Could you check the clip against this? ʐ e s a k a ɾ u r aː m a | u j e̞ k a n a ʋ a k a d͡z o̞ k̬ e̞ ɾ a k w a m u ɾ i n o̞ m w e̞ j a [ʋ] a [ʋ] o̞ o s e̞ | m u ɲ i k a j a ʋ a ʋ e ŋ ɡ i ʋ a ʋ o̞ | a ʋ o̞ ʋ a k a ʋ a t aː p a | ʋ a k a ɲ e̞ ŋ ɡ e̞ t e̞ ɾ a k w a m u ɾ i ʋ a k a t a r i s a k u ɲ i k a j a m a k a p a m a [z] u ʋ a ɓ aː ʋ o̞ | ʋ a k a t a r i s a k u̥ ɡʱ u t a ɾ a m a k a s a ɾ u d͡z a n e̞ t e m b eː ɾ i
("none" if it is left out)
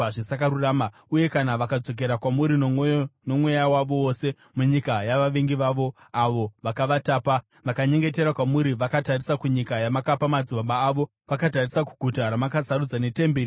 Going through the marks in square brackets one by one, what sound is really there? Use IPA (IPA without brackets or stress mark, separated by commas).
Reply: w, ʋ, d͡z